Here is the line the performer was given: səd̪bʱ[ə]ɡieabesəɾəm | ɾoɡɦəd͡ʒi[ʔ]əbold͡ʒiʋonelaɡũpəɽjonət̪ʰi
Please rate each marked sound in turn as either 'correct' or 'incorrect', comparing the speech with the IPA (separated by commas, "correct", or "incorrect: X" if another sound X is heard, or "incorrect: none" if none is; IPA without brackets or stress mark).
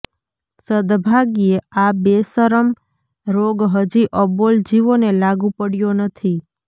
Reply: incorrect: a, correct